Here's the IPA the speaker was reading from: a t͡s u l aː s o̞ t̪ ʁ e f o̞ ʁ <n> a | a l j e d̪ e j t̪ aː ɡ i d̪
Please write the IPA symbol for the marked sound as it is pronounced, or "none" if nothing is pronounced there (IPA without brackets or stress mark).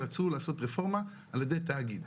m